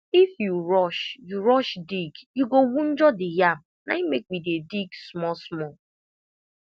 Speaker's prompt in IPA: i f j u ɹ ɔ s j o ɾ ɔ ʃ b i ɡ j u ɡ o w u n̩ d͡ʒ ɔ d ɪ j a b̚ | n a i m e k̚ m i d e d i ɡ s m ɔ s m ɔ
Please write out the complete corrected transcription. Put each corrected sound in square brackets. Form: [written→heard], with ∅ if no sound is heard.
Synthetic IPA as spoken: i f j u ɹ ɔ [s→ʃ] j [o→u] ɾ ɔ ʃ [b→d] i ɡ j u ɡ o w u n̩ d͡ʒ ɔ d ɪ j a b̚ | n a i m e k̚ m i d e d i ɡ s m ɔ s m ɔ